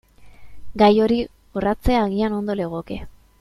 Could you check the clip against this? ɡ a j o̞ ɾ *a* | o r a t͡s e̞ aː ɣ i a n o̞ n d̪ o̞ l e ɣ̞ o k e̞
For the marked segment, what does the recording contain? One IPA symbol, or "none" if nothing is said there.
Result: i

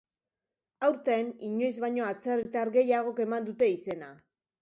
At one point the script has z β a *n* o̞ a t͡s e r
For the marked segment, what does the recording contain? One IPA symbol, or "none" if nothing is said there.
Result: ɲ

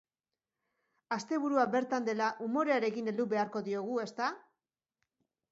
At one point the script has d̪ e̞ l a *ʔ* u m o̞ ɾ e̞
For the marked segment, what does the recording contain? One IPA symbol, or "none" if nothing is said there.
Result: ʔ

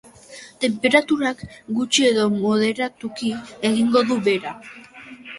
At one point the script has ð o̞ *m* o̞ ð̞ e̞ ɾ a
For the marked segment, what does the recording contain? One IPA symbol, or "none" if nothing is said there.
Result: m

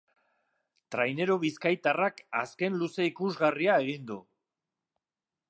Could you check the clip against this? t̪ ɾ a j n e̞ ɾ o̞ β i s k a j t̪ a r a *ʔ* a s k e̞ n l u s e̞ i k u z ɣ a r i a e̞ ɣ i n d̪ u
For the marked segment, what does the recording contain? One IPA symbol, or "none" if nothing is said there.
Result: k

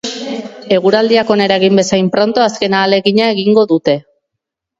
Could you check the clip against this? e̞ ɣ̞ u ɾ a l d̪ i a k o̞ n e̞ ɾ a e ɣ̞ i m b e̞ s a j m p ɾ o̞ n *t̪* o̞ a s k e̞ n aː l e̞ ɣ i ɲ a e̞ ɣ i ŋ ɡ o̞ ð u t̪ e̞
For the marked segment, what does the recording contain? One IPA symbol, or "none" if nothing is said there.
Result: t̪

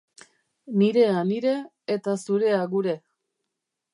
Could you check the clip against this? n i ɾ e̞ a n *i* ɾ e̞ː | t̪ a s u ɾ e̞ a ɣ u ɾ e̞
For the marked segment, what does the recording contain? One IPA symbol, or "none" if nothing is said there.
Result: i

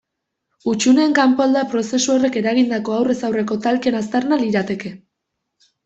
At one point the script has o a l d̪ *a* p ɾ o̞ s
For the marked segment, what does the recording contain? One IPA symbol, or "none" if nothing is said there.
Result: a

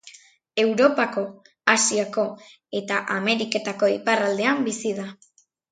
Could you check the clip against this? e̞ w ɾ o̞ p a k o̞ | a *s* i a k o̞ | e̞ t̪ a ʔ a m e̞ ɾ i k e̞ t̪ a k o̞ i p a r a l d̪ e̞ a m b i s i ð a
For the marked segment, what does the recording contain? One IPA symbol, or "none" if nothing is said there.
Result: s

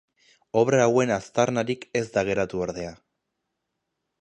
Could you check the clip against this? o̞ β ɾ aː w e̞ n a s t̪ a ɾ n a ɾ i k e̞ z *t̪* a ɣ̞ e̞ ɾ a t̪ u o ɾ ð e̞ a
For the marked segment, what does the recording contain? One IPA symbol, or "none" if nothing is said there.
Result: d̪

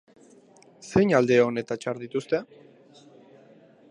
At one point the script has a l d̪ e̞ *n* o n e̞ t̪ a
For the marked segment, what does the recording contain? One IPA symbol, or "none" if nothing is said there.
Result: none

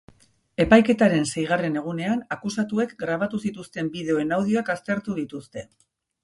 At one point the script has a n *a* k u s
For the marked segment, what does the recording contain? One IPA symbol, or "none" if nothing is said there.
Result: a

